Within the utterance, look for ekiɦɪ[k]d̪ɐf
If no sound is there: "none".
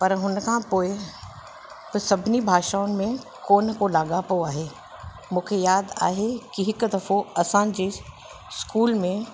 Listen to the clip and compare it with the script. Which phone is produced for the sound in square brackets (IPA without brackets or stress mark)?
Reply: k